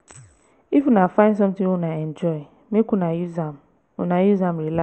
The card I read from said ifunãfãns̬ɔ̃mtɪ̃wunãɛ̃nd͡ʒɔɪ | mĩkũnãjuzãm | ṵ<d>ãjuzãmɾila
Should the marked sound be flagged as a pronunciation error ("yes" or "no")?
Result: yes